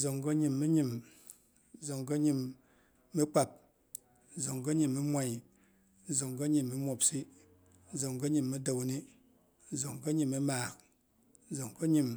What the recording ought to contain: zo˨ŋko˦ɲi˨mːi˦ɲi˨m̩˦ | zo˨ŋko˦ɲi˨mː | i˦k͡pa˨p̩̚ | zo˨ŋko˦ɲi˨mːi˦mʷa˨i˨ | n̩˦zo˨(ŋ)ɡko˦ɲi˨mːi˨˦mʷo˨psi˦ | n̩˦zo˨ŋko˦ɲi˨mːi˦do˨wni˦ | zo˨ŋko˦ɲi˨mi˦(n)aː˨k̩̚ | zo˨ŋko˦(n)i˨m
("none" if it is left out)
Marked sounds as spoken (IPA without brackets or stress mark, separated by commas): ŋ, m, ɲ